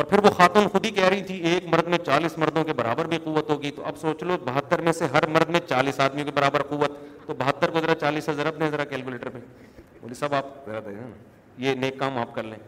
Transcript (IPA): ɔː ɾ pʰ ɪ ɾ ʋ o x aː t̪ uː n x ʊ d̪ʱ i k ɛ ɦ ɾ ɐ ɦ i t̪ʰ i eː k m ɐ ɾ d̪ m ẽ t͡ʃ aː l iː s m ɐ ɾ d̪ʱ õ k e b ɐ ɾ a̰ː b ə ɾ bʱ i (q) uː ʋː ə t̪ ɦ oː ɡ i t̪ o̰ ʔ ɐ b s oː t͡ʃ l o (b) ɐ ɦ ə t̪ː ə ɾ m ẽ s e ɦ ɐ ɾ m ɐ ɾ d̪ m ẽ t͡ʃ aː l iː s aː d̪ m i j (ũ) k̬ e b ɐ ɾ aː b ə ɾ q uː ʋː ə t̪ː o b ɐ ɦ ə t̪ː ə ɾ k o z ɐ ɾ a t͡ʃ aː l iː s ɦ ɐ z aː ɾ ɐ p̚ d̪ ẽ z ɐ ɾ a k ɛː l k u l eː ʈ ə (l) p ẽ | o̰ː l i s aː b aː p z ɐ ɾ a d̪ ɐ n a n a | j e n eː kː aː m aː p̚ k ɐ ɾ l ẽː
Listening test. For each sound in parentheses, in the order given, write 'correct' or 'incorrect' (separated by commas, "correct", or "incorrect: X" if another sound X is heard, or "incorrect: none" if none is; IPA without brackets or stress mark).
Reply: correct, correct, incorrect: õ, incorrect: ɾ